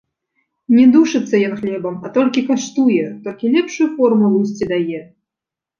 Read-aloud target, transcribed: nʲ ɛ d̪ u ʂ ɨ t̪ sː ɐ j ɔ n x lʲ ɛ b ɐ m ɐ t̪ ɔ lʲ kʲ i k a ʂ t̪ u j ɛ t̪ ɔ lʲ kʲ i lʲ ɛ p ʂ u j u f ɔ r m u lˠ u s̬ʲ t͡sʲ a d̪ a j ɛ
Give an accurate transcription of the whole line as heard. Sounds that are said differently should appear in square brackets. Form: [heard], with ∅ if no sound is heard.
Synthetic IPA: nʲ ɛ d̪ u ʂ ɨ t̪ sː ɐ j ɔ n x lʲ ɛ b ɐ m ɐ t̪ ɔ lʲ kʲ i k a ʂ t̪ u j ɛ t̪ ɔ lʲ kʲ i lʲ ɛ p ʂ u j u f ɔ r m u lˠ u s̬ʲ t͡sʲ [i] d̪ a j ɛ